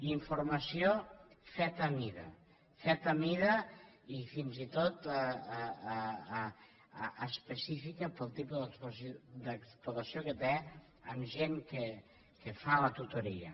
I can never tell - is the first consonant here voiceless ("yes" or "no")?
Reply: no